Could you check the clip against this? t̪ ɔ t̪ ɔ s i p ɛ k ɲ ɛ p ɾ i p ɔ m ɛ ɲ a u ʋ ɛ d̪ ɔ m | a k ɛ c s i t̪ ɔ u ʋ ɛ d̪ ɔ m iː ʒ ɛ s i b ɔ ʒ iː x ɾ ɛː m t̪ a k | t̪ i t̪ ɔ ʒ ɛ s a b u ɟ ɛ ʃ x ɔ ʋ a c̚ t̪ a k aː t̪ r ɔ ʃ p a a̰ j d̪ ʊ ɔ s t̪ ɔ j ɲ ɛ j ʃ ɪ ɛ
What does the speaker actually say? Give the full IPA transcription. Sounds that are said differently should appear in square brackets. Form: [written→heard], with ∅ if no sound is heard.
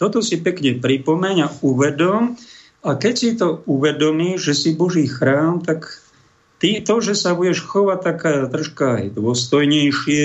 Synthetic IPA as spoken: t̪ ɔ t̪ ɔ s i p ɛ k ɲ ɛ p ɾ i p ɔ m ɛ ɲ a u ʋ ɛ d̪ ɔ m | a k ɛ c s i t̪ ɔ u ʋ ɛ d̪ ɔ m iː ʒ ɛ s i b ɔ ʒ iː x ɾ [ɛː→aː] m t̪ a k | t̪ i t̪ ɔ ʒ ɛ s a b u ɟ ɛ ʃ x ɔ ʋ a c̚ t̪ a k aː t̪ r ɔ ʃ [p→k] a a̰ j d̪ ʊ ɔ s t̪ ɔ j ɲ ɛ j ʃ ɪ ɛ